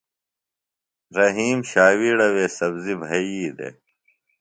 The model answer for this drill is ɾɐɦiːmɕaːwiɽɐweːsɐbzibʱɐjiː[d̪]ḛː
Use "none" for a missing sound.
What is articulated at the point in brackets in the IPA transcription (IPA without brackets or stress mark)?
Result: d̪